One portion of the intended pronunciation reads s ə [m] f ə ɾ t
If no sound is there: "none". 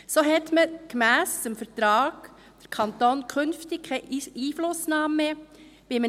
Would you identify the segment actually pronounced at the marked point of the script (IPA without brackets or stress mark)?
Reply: m